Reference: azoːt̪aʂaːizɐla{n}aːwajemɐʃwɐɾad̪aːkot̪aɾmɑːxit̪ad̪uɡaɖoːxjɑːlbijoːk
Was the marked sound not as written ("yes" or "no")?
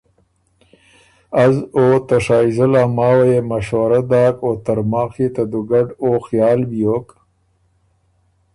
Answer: yes